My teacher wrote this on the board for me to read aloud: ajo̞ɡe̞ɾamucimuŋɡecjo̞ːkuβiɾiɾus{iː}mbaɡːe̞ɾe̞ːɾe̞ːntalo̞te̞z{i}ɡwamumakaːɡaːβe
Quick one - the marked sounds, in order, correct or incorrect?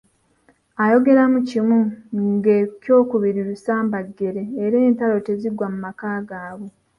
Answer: incorrect: aː, correct

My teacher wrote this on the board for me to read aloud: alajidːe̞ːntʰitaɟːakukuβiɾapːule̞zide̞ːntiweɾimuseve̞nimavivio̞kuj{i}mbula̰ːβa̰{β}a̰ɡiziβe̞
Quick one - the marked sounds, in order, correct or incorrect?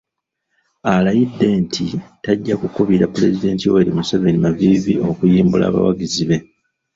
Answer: incorrect: iː, incorrect: w

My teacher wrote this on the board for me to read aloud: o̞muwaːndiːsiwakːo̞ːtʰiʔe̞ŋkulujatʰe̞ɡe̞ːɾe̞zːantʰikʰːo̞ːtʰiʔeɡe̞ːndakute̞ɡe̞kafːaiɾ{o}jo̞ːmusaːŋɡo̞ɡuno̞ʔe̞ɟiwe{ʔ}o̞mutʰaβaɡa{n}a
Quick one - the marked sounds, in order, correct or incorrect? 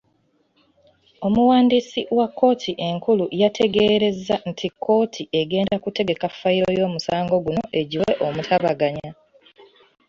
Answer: correct, correct, incorrect: ɲ

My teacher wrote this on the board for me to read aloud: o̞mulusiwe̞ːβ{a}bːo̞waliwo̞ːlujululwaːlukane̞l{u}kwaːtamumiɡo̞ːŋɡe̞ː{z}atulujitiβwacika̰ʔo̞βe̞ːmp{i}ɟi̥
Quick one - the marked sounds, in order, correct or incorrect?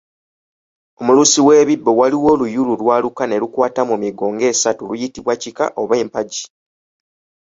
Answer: incorrect: i, correct, incorrect: s, incorrect: a

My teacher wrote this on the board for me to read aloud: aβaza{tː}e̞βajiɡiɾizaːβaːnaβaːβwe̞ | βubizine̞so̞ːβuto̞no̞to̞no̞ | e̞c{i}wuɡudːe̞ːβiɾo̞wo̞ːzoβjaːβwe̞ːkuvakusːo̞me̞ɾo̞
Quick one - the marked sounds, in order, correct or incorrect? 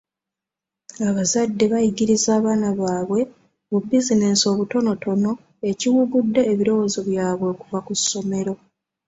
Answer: incorrect: dː, correct

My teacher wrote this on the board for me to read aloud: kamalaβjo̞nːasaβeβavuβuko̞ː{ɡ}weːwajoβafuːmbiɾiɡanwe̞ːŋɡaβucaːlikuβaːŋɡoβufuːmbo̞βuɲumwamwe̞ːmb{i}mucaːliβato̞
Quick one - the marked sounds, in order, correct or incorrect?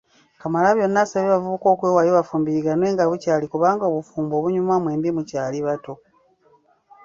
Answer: incorrect: k, correct

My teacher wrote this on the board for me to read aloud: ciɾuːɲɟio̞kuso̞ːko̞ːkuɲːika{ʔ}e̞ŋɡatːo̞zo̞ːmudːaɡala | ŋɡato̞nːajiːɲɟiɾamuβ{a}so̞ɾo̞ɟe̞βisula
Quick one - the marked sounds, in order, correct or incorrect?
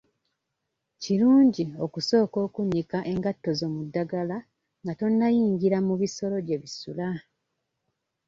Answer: correct, incorrect: i

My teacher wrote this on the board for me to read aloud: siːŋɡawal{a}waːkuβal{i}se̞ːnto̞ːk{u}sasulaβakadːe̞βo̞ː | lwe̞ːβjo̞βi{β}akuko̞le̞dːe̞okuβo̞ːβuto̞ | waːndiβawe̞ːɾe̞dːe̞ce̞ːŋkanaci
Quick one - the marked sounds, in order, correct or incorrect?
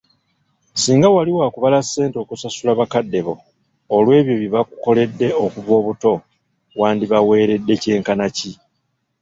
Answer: incorrect: i, incorrect: a, correct, correct

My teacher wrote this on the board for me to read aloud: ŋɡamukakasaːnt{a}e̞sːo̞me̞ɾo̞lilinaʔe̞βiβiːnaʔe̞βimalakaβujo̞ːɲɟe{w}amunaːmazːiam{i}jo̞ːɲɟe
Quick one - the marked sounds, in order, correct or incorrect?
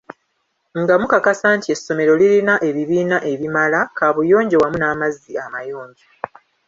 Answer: incorrect: i, correct, incorrect: a

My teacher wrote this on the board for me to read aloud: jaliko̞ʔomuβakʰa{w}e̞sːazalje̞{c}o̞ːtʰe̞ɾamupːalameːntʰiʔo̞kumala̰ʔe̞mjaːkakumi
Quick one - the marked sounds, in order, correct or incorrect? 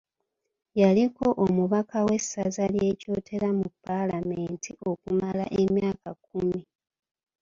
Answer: correct, correct

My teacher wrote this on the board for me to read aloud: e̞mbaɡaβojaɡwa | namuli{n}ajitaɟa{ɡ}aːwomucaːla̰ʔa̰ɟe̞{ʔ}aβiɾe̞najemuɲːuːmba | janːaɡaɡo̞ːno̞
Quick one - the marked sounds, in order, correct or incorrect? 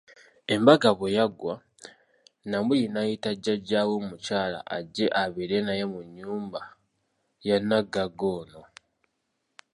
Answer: correct, incorrect: ɟ, correct

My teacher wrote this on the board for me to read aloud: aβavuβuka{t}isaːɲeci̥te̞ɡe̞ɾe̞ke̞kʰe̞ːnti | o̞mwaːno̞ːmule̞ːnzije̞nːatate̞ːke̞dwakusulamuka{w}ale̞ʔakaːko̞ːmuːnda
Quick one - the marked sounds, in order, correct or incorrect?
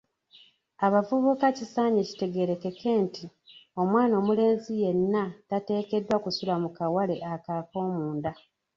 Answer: incorrect: c, correct

